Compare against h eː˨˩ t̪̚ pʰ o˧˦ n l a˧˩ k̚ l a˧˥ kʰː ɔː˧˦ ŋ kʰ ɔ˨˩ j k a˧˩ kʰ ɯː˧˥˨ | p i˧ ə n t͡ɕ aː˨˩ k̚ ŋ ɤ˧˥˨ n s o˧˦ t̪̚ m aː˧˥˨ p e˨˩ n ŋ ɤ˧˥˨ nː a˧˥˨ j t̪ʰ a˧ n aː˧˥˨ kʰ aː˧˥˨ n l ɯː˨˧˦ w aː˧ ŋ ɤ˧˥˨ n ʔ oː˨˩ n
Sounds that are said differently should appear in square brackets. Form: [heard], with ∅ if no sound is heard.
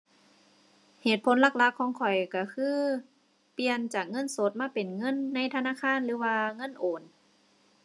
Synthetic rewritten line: h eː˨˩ t̪̚ pʰ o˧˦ n l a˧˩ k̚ l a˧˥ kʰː ɔː˧˦ ŋ kʰ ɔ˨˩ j k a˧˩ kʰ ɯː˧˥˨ | p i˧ ə n t͡ɕ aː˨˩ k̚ ŋ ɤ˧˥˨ n s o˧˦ t̪̚ m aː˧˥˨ p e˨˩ n ŋ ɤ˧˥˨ nː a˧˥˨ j t̪ʰ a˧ n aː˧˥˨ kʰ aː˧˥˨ n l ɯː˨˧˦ w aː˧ ŋ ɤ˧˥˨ n ʔ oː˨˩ n